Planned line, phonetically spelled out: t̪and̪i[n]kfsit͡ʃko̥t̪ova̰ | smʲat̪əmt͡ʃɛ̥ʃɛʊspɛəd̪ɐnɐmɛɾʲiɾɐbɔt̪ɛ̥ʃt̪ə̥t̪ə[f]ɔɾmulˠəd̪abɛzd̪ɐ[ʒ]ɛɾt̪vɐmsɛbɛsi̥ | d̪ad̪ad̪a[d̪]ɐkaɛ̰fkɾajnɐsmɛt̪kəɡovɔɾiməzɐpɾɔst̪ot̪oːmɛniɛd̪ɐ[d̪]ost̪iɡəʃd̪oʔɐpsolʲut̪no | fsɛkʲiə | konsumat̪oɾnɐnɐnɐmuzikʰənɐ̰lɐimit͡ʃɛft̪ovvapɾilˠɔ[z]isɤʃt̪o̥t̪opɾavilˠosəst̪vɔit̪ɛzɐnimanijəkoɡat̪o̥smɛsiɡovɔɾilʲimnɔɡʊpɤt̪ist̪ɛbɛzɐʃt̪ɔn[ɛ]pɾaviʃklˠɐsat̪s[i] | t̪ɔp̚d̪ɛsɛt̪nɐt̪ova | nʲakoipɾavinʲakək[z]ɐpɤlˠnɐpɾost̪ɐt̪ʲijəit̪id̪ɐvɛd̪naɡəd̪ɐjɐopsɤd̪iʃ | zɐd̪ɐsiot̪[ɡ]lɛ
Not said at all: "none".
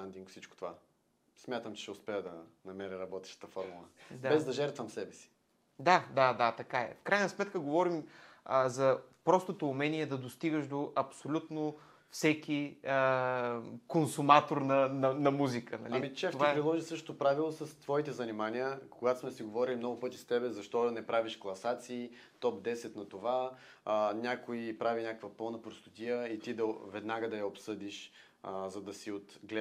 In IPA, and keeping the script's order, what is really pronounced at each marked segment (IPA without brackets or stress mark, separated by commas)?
ŋ, f, ʒ, t̪, d̪, ʒ, ɛ, iː, v, ɡ